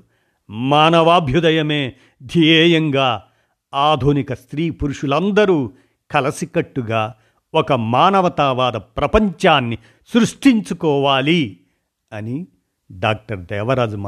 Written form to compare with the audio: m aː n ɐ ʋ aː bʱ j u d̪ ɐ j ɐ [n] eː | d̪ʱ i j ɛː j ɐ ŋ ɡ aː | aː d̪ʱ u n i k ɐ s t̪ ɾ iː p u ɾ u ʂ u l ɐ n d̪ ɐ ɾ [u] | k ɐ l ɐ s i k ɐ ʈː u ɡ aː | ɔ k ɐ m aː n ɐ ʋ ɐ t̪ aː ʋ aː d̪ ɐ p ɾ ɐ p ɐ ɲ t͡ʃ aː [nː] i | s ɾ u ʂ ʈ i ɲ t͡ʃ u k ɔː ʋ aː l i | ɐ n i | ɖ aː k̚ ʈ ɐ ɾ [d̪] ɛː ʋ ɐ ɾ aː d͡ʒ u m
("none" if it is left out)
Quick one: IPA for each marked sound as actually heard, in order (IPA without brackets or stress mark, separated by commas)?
m, uː, nː, d̪